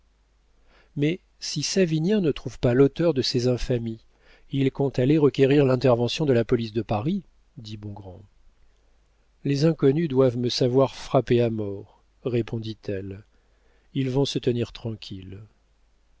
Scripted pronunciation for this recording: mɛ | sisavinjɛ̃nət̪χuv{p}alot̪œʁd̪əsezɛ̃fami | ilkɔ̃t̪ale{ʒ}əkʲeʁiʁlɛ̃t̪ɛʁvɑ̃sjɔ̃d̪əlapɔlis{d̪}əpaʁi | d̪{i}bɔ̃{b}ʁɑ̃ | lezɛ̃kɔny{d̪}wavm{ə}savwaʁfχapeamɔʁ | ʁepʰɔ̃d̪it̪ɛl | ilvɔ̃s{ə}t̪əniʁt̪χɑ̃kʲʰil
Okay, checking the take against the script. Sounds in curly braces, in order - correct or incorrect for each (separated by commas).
correct, incorrect, correct, correct, incorrect, correct, correct, correct